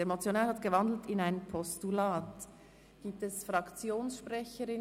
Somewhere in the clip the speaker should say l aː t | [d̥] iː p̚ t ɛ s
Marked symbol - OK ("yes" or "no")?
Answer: no